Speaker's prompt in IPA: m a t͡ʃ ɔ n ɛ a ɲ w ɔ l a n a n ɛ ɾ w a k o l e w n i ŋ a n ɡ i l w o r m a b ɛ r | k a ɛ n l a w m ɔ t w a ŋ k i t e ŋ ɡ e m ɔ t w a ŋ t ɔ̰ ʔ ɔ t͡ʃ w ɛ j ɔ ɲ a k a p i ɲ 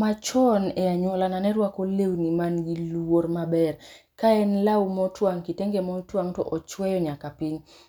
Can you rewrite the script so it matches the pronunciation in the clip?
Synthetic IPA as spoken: m a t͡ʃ ɔ n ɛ a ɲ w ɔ l a n a n ɛ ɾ w a k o l e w n i m a n ɡ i l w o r m a b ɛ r | k a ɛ n l a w m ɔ t w a ŋ k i t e ŋ ɡ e m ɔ t w a ŋ t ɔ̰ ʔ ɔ t͡ʃ w ɛ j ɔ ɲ a k a p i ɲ